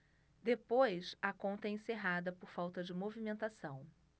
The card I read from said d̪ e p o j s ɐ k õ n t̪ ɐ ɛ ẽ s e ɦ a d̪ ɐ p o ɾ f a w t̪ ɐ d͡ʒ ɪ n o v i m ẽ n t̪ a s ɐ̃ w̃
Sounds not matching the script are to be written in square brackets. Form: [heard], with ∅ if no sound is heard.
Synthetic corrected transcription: d̪ e p o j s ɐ k õ n t̪ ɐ ɛ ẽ s e ɦ a d̪ ɐ p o ɾ f a w t̪ ɐ d͡ʒ ɪ [m] o v i m ẽ n t̪ a s ɐ̃ w̃